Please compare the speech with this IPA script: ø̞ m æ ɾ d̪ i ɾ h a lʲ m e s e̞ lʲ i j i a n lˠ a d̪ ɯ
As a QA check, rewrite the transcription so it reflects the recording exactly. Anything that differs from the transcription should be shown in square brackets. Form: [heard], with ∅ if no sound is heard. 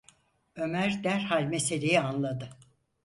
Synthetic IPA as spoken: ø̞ m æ ɾ d̪ [æ] ɾ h a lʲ m e s e̞ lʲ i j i a n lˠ a d̪ ɯ